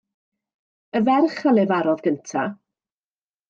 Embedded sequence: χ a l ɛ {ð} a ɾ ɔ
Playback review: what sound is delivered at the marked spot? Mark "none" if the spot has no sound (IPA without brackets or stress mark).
v